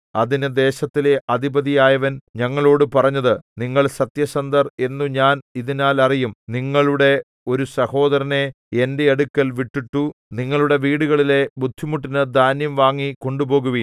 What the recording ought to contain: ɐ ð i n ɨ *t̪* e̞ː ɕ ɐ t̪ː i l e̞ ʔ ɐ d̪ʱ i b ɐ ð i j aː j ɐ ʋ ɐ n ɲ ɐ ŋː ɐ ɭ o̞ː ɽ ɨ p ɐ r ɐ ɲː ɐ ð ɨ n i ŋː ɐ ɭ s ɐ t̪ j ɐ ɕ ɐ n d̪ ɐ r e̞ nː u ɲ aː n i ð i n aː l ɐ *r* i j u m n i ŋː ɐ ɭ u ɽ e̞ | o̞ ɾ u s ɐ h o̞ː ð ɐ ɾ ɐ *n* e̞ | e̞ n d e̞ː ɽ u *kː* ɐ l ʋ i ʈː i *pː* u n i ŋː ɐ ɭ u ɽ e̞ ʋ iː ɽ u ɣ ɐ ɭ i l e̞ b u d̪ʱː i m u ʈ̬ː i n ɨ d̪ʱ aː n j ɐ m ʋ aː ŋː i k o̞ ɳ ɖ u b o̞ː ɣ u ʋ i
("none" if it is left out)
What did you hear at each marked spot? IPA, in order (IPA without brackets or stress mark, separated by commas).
d̪, r, n, kː, ʈː